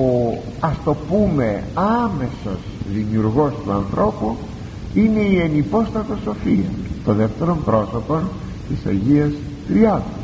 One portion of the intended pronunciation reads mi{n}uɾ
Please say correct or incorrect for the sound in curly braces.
incorrect